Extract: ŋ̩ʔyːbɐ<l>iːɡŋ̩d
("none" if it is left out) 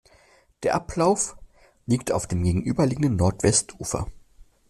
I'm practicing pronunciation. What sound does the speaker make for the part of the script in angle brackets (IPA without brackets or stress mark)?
l